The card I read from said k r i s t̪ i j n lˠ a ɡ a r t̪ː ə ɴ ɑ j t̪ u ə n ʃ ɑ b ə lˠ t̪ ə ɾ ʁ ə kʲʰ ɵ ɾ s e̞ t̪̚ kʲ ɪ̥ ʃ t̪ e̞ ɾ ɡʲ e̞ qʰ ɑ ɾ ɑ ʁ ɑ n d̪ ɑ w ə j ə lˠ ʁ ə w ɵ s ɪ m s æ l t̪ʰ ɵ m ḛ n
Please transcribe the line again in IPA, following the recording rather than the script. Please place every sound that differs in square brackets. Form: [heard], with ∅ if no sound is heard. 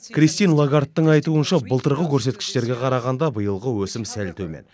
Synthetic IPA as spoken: k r i s t̪ i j n lˠ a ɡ a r t̪ː ə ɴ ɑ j t̪ u ə n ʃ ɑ b ə lˠ t̪ ə ɾ ʁ ə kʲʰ ɵ ɾ s e̞ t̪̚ kʲ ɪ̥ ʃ t̪ e̞ ɾ ɡʲ e̞ qʰ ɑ ɾ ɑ ʁ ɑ n d̪ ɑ [b] ə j ə lˠ ʁ ə w ɵ s ɪ m s æ l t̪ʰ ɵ m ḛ n